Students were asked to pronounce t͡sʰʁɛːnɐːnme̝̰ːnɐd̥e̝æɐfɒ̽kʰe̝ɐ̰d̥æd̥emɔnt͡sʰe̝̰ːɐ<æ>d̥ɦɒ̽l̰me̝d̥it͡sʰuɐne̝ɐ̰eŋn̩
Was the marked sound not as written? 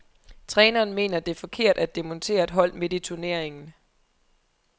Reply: yes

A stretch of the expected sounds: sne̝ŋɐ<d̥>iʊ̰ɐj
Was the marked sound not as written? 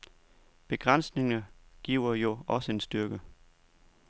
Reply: yes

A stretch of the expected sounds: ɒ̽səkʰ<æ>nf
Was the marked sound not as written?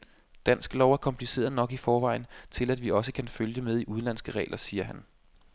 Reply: no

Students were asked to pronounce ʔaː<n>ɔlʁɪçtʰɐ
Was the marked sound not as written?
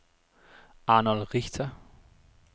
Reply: no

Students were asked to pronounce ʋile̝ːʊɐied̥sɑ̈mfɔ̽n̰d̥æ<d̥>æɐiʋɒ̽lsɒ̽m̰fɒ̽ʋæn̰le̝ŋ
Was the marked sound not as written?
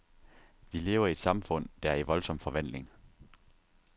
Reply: yes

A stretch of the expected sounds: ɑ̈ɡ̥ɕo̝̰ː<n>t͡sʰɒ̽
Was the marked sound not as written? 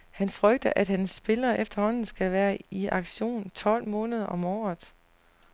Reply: no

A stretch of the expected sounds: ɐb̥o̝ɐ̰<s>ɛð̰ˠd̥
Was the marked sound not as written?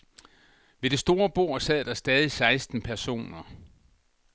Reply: no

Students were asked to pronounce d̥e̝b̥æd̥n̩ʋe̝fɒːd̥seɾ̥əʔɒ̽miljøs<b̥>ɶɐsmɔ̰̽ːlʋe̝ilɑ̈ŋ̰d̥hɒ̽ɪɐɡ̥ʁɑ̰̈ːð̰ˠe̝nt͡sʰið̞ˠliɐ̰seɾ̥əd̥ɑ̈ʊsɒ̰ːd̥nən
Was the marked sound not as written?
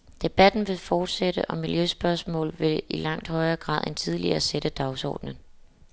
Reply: no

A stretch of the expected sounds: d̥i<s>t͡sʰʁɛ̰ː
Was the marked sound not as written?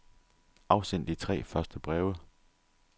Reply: yes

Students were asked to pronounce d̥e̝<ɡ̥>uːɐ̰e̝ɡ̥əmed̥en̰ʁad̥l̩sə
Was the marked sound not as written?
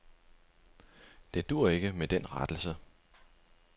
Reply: yes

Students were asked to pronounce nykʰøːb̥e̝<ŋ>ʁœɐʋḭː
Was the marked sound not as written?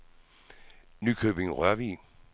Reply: no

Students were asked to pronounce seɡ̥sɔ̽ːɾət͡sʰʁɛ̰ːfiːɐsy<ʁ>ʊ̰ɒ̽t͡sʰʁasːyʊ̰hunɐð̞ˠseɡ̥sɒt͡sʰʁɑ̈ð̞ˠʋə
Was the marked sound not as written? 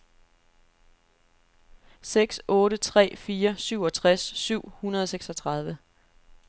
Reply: yes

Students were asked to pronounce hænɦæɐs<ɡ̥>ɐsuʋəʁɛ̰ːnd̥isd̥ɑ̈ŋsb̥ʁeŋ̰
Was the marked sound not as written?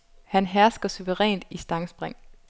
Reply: no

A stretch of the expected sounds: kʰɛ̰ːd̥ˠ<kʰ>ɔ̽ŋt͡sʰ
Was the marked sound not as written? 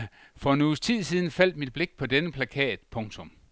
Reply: yes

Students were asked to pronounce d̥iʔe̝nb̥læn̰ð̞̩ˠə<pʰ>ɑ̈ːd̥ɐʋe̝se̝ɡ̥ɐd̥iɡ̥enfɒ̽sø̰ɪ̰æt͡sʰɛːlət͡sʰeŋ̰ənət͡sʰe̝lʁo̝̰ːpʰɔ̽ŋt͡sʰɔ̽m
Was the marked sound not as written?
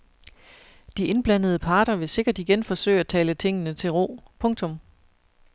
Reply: no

